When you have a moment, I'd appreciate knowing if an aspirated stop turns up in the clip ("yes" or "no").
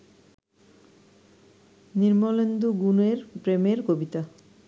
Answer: no